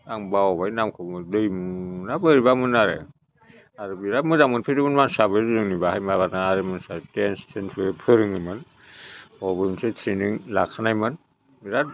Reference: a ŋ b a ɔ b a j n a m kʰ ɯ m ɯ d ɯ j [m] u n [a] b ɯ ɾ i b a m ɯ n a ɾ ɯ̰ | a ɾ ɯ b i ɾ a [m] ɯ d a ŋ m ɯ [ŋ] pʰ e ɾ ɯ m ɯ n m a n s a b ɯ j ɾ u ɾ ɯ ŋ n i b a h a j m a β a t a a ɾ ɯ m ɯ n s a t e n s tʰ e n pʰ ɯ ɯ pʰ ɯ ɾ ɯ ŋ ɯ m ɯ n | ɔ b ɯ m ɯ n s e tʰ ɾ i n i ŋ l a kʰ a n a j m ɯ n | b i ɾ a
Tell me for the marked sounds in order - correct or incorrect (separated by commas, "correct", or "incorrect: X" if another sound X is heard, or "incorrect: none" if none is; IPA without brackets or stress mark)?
correct, correct, correct, incorrect: n